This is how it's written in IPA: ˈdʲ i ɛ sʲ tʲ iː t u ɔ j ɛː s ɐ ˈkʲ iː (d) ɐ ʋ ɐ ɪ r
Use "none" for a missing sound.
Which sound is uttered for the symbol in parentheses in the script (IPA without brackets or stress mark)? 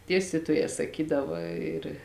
d